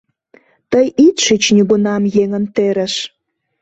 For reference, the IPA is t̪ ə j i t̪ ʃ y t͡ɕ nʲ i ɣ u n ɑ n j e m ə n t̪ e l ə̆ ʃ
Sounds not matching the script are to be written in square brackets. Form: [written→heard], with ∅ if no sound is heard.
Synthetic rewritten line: t̪ ə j i t̪ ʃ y t͡ɕ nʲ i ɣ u n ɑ [n→m] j e [m→ŋ] ə n t̪ e [l→ɾ] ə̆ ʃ